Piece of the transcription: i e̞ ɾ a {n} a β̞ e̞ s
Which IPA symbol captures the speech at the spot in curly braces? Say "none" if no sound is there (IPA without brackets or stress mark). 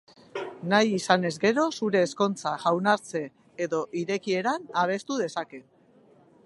n